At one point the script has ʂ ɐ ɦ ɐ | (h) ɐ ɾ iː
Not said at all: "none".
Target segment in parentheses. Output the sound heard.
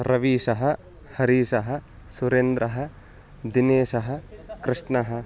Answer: h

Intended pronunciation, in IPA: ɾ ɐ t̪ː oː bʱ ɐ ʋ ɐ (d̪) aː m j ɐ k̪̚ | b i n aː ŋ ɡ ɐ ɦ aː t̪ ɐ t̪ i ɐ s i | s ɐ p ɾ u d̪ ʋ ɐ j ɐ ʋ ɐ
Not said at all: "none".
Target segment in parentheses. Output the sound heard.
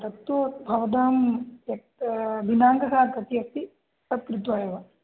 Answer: d̪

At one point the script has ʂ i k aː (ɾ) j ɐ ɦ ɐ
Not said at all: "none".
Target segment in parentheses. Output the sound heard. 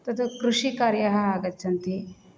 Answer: ɾ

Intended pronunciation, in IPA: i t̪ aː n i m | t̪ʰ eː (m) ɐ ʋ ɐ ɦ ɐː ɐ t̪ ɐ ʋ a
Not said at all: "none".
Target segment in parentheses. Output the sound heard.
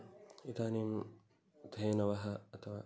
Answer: n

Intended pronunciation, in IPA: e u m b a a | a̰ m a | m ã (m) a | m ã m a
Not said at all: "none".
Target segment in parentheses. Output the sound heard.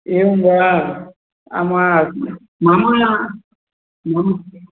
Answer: m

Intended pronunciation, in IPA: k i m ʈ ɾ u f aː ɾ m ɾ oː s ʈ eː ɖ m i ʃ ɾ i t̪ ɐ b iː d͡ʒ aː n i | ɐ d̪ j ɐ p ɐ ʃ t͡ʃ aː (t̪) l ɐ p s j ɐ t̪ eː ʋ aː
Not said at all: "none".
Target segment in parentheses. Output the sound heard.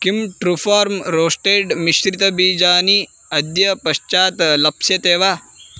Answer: t̪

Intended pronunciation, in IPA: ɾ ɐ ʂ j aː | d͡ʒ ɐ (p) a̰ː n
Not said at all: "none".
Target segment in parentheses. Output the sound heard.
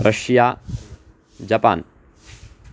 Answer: p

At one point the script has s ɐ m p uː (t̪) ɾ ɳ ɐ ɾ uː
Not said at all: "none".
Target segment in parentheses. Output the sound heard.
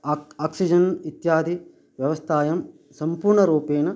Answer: none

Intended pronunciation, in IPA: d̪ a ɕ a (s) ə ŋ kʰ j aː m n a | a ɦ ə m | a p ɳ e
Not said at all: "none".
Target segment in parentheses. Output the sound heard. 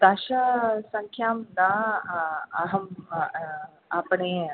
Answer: s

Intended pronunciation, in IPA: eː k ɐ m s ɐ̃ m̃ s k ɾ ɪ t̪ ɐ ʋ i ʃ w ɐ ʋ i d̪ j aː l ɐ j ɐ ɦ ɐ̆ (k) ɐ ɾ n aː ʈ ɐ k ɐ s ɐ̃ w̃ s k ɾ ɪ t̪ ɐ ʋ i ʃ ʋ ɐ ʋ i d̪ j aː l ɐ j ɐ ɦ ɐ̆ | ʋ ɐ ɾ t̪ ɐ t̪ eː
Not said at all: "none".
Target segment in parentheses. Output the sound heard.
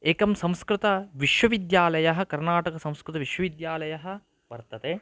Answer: k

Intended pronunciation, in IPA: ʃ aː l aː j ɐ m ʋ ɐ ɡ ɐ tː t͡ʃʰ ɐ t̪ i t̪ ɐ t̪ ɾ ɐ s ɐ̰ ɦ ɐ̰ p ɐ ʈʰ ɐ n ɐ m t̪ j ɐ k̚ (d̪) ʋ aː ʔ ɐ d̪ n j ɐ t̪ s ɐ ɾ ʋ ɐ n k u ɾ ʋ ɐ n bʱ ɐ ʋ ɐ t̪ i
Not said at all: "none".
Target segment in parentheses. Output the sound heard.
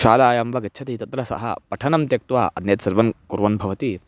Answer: t̪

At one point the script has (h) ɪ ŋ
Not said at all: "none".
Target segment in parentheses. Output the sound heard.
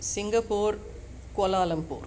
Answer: s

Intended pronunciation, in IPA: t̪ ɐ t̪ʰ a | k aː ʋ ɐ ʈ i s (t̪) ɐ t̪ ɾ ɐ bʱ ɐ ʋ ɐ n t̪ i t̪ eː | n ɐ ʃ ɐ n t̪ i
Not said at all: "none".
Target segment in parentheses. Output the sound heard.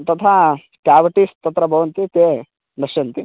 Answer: t̪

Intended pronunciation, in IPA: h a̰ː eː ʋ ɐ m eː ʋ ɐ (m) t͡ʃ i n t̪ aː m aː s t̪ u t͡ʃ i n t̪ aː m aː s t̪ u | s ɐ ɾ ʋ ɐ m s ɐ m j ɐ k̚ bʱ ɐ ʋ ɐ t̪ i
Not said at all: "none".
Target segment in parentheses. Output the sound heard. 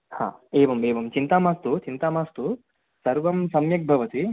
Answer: m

